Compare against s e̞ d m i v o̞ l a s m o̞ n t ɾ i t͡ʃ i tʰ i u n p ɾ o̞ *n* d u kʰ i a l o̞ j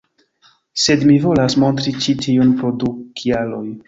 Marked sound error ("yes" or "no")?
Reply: yes